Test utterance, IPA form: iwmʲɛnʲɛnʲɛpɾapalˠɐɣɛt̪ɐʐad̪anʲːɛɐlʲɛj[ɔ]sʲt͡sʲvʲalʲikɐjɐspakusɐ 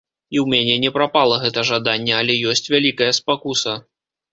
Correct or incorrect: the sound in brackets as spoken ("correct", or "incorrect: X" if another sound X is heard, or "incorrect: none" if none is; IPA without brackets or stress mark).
correct